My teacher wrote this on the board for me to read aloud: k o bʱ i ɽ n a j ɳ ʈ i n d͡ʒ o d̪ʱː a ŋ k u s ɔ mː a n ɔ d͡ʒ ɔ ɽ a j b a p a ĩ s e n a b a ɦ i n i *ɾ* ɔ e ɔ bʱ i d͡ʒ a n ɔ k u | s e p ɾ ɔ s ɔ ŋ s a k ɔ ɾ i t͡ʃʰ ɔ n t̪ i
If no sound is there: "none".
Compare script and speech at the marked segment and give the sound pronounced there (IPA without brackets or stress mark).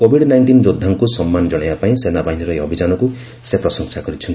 ɾ